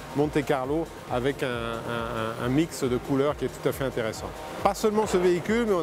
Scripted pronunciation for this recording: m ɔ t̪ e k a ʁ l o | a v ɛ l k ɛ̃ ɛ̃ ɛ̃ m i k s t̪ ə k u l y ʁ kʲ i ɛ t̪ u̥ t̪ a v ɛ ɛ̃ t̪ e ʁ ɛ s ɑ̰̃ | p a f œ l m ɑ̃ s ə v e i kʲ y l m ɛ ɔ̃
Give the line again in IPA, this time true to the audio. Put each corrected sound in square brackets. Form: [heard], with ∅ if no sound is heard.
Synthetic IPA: m [ɔ̃] t̪ e k a ʁ l o | a v ɛ [∅] k ɛ̃ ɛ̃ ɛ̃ m i k s [d̪] ə k u l [œ] ʁ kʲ i ɛ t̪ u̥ t̪ a [f] ɛ ɛ̃ t̪ e ʁ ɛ s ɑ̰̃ | p a [s] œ l m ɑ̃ s ə v e i kʲ y l m ɛ ɔ̃